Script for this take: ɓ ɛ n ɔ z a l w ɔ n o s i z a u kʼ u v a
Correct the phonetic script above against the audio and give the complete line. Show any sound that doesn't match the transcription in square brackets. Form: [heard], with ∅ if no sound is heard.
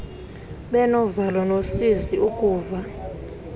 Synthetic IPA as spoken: ɓ ɛ n ɔ [v] a l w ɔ n o s i z [i] u kʼ [uː] v a

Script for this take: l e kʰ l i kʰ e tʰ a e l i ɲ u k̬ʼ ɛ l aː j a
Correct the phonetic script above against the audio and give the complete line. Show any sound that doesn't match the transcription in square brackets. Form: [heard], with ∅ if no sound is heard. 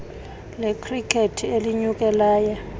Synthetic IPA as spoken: l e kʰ [r] i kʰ e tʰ [i] e l i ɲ u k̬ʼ ɛ l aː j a

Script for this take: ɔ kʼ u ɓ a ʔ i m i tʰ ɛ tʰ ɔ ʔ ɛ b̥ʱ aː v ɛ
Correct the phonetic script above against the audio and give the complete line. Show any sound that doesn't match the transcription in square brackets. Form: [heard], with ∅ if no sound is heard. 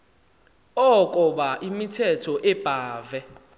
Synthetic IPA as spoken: ɔ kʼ [ɔ] ɓ a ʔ i m i tʰ ɛ tʰ ɔ ʔ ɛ b̥ʱ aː v ɛ

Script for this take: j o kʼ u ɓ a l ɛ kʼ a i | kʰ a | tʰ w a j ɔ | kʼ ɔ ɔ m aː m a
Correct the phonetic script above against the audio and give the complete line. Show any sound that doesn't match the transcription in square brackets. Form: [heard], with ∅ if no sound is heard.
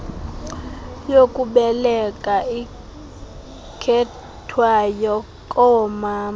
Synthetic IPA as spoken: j o kʼ u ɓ [ɛ] l ɛ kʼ a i | kʰ [ɛ] | tʰ w a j ɔ | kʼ ɔ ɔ m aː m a

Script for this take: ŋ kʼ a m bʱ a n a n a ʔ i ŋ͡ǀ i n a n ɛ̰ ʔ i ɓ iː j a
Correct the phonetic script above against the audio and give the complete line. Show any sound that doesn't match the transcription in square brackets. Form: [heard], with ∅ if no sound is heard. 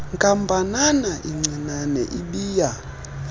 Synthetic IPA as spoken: ŋ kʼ a m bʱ a n a n a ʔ i ŋ͡ǀ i n a n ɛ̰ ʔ i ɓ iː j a

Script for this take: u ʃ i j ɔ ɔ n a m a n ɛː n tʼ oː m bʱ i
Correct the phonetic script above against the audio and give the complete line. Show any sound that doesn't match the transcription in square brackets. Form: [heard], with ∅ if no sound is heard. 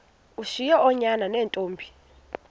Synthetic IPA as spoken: u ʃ i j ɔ ɔ [ɲ] a [n] a n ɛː n tʼ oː m bʱ i

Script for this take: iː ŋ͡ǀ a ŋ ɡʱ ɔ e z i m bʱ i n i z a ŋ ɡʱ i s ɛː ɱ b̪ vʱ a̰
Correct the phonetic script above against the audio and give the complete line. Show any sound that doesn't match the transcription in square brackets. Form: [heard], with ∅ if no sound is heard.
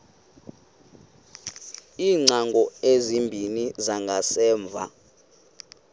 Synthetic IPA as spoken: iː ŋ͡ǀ a ŋ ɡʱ ɔ e z i m bʱ i n i z a ŋ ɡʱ [a] s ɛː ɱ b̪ vʱ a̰

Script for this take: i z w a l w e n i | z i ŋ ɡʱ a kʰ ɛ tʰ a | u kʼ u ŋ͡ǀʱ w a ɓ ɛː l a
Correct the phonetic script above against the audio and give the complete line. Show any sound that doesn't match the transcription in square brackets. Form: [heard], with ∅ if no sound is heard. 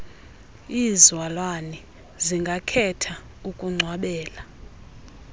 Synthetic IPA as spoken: i z w a l w [a] n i | z i ŋ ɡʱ a kʰ ɛ tʰ a | u kʼ u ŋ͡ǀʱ w a ɓ ɛː l a

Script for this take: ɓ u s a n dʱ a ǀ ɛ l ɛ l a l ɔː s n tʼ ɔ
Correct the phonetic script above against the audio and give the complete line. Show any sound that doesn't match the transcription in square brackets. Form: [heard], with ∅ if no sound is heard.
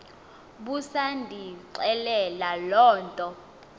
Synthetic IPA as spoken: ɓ u s a n dʱ [i] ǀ ɛ l ɛ l a l ɔː [∅] n tʼ ɔ

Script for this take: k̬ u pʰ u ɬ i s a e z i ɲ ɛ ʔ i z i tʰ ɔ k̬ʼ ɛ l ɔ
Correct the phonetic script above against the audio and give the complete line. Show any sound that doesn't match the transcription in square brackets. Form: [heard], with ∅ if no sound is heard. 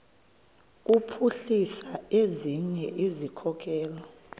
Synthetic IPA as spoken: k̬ u pʰ u ɬ i s a e z i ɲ ɛ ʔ i z i [kʰ] ɔ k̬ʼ [ɛː] l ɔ

